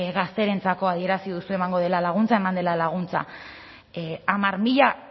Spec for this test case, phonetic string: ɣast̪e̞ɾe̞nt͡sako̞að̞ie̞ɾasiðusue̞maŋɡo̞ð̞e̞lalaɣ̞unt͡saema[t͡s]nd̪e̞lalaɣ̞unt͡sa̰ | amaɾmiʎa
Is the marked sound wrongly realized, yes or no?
yes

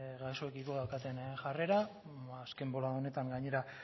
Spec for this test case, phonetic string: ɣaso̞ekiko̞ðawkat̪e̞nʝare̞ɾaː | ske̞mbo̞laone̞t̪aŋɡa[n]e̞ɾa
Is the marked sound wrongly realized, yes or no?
yes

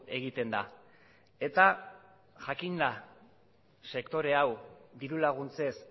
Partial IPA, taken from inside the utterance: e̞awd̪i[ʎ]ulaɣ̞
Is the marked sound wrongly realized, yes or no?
yes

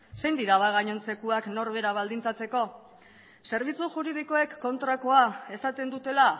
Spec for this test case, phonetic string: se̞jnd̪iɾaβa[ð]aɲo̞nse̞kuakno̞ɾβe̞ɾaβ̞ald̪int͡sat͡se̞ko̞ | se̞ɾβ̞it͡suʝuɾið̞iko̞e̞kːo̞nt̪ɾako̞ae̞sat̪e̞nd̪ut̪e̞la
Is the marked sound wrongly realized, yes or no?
yes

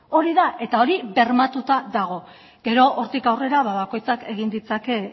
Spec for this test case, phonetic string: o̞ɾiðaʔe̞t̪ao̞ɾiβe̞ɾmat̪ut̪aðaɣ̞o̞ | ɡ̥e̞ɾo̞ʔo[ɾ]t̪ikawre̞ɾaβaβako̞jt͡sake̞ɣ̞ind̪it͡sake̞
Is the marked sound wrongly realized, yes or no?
no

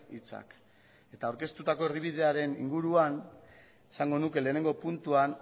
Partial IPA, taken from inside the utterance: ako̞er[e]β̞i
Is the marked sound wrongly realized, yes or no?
yes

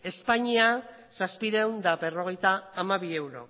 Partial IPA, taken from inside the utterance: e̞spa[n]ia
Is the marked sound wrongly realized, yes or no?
yes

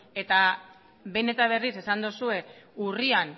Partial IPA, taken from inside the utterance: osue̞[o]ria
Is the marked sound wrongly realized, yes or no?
yes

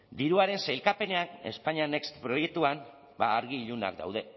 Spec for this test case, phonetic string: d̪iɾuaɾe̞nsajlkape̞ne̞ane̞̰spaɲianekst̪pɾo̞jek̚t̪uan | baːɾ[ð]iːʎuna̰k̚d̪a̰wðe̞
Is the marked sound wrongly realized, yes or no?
yes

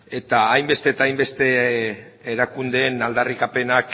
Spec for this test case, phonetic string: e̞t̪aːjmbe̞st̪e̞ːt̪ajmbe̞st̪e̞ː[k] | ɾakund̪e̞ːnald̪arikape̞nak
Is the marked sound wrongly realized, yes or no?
yes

